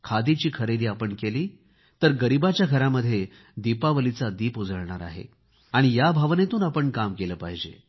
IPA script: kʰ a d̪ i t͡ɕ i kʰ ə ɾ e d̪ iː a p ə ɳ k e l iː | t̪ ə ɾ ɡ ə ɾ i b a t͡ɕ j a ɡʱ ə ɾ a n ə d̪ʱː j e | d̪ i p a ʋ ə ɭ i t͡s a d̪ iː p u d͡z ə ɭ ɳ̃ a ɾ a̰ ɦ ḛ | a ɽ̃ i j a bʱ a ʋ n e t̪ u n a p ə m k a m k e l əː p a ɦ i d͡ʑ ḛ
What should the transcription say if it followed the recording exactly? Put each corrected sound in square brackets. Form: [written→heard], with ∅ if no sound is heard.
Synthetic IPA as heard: kʰ a d̪ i t͡ɕ [i→iː] kʰ ə ɾ e d̪ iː a p ə ɳ k e l iː | t̪ ə ɾ ɡ ə ɾ i b a t͡ɕ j a ɡʱ ə ɾ a [n→m] ə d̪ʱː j e | d̪ i p a ʋ ə [ɭ→l] i t͡s a d̪ iː p u d͡z ə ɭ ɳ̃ a ɾ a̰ ɦ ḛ | a ɽ̃ i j a bʱ a ʋ n e t̪ [u→uː] n a p ə [m→ɳ] k a m k e l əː p a ɦ i d͡ʑ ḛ